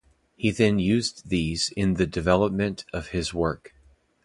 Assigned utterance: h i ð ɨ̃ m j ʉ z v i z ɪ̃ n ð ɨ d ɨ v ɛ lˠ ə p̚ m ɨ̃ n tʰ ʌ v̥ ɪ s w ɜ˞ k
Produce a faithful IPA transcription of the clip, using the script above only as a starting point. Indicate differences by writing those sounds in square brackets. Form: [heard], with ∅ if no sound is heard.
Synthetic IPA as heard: h i ð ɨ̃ [n] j ʉ z [ð] i z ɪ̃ n ð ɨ d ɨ v ɛ lˠ ə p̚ m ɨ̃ n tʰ ʌ v̥ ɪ [z] w ɜ˞ k